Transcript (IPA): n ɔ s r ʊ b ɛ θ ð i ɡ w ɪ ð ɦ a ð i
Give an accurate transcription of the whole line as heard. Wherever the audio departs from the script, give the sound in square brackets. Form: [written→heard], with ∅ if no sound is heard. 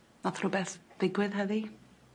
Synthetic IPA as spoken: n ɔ [s→θ] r ʊ b ɛ θ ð [i→ɪ] ɡ w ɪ ð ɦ [a→ə] ð i